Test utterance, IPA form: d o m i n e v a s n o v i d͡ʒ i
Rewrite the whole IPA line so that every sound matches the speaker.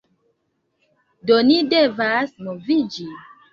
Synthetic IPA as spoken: d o n i d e v a s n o v i d͡ʒ i